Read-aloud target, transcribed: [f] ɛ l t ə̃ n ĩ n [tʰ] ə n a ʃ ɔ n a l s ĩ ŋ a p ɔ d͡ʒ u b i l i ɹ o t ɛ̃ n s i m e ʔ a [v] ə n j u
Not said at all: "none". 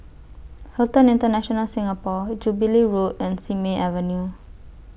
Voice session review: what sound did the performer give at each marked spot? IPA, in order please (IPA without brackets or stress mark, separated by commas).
h, t, v